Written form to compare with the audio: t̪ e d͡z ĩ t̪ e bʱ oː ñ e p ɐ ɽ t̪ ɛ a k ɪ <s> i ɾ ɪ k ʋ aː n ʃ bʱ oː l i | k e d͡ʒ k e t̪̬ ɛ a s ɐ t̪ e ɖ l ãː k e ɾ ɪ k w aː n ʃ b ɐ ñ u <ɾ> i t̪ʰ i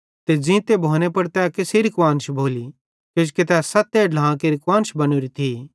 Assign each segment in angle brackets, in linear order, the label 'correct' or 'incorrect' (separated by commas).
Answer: correct, correct